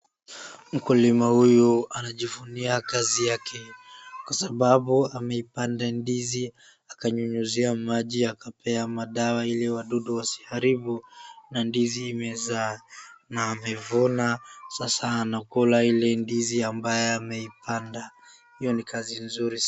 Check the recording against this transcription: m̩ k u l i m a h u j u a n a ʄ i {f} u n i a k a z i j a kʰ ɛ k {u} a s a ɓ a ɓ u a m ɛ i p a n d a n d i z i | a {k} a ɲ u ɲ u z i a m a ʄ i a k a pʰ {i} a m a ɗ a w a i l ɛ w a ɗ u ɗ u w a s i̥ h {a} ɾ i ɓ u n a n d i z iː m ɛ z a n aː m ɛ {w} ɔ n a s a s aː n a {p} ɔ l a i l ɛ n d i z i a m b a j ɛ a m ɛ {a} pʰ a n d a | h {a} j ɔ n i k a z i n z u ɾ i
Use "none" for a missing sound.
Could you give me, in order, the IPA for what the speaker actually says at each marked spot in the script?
v, w, k, ɛ, a, v, k, i, i

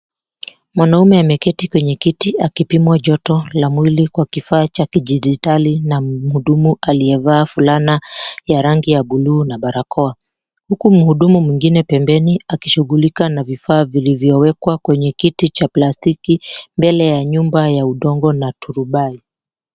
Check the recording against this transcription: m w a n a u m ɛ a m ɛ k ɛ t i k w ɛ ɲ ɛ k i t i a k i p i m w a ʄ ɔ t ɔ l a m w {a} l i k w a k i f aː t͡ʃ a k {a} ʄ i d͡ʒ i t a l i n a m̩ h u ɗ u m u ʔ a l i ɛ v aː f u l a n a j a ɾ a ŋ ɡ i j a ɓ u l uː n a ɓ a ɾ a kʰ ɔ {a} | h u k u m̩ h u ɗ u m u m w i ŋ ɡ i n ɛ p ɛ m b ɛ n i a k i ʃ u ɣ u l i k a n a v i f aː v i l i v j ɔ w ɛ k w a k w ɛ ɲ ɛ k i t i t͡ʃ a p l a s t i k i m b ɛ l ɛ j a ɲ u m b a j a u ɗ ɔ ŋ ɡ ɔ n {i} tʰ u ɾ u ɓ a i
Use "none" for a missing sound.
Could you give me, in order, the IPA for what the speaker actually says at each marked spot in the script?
i, i, a, a

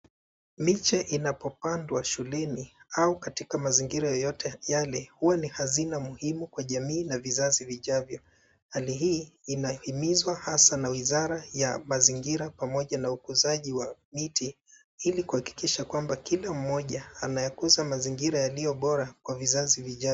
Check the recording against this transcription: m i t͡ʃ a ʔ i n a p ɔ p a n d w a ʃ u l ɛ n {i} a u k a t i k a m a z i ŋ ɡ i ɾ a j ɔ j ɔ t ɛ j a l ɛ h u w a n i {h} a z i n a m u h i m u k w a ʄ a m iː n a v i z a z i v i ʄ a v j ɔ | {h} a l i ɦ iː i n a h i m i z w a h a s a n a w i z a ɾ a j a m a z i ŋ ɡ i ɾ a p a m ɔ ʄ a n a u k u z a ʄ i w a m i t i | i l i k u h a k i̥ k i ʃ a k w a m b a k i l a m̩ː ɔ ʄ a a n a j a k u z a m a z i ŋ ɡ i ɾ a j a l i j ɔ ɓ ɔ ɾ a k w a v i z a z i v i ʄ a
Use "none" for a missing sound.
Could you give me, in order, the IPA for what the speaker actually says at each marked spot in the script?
i, h, h

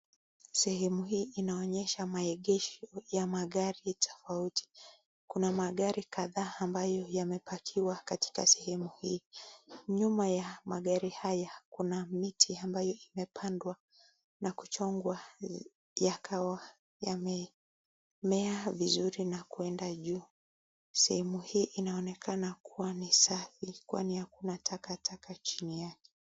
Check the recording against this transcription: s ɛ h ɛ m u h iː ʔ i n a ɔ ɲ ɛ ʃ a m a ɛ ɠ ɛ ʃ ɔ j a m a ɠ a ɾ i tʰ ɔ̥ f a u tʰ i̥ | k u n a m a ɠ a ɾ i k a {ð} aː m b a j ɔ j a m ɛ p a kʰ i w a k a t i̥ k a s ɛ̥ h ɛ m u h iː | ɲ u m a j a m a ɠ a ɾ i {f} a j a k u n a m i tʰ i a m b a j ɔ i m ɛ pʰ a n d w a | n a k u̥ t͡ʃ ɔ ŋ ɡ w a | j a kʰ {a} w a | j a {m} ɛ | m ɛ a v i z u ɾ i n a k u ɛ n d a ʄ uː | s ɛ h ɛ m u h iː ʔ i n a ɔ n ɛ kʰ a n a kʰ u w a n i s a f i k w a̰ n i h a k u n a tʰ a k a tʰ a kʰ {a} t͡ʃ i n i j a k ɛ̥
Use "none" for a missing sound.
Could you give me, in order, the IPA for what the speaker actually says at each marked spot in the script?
ð, h, a, m, a

